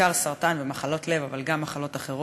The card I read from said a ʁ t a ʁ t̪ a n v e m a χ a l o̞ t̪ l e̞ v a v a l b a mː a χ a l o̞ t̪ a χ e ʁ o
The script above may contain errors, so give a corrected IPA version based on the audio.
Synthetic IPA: a ʁ s a ʁ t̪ a n v e m a χ a l o̞ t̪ l e̞ v a v a l ɡ a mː a χ a l o̞ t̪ a χ e ʁ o